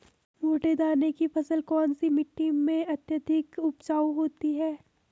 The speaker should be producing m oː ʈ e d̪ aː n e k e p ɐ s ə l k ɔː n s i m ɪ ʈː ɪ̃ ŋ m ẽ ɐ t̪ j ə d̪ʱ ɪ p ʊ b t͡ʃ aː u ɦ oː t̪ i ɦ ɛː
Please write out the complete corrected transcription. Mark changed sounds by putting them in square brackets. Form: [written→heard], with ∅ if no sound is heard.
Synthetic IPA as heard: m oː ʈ e d̪ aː n e k [e→i] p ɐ s ə l k ɔː n s i m ɪ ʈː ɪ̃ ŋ m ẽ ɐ t̪ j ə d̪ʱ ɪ [p→k] ʊ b t͡ʃ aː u ɦ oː t̪ i ɦ ɛː